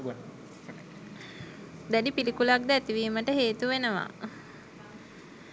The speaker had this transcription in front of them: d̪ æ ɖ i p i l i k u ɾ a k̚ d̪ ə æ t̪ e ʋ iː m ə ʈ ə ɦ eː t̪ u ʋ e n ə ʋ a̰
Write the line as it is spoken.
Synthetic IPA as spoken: d̪ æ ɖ i p i l i k u l a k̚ d̪ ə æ t̪ i ʋ iː m ə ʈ ə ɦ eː t̪ u ʋ e n ə ʋ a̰